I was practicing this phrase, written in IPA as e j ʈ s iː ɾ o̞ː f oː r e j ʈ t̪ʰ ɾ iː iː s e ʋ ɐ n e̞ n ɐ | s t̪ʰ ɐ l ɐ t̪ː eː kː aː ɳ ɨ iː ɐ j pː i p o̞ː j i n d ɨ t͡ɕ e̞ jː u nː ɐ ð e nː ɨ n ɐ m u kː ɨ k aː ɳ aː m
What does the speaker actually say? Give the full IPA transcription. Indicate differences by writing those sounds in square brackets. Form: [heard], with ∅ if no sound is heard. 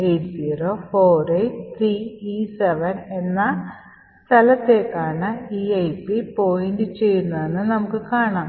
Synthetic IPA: e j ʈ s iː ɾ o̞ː f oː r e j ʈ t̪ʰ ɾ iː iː s e ʋ ɐ n e̞ [nː] ɐ | s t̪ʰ ɐ l ɐ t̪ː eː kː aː ɳ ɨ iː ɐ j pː i p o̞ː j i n d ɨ t͡ɕ e̞ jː u nː ɐ ð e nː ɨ n ɐ m u kː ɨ k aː ɳ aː m